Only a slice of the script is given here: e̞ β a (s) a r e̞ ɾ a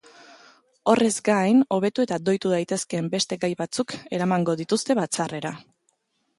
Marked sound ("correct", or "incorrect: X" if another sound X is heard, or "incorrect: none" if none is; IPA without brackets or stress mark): incorrect: t͡s